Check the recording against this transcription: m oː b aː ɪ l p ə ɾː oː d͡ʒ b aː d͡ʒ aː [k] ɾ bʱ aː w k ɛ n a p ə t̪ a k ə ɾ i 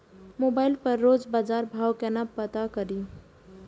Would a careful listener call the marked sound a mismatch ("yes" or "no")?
yes